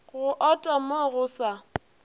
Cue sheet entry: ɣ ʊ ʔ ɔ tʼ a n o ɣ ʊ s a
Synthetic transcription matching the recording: ɣ ʊ ʔ ɔ tʼ a m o ɣ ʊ s a